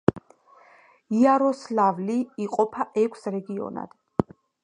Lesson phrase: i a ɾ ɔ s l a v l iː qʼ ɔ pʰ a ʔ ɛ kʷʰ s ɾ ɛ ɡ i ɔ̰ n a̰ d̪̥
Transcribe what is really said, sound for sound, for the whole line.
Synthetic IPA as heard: i a ɾ ɔ s l a v l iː qʼ ɔ pʰ a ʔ ɛ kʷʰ s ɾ ɛ ɡ i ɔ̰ n a̰ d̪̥